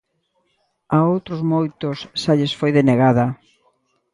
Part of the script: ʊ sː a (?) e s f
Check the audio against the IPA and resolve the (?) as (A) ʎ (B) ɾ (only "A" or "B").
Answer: A